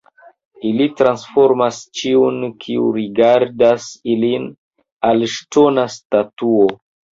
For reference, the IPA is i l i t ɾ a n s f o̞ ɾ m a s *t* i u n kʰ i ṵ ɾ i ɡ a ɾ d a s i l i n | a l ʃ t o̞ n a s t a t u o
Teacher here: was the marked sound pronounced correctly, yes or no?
no